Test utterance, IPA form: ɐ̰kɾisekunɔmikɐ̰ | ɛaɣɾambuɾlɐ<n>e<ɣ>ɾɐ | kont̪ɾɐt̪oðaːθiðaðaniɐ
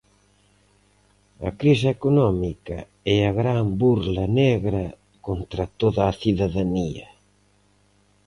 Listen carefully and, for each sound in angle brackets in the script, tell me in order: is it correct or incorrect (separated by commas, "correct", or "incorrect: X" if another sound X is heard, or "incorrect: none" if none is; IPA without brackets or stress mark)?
correct, correct